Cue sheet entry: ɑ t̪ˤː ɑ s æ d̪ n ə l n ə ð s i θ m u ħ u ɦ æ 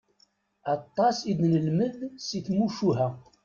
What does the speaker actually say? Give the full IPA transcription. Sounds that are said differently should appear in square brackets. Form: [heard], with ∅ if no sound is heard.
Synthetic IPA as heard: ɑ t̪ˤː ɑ s [i] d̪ n ə l [m] ə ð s i θ m u [ʃ] u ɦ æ